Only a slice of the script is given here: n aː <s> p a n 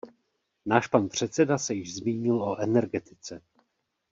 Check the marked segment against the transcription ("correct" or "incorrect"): incorrect